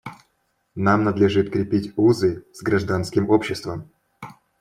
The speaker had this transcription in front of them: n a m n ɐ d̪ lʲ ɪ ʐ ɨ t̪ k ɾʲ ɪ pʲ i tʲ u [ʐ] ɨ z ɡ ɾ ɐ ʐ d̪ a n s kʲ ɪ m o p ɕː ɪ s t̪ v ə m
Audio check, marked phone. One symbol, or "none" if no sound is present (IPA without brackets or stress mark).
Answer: z